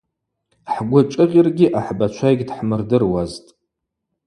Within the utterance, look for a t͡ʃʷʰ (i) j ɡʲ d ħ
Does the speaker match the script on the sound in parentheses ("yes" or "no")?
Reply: no